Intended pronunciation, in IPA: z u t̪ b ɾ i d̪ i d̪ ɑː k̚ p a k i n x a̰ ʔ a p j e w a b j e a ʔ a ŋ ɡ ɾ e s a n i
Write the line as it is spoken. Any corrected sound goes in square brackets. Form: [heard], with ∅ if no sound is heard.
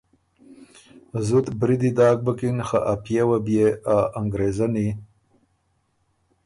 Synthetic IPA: z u t̪ b ɾ i d̪ i d̪ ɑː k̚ [b] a k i n x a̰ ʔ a p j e w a b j e a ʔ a ŋ ɡ ɾ e [z] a n i